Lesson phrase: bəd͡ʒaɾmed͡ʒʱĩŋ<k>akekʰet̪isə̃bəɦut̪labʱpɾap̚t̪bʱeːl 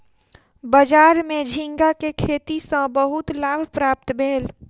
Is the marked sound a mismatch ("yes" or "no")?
yes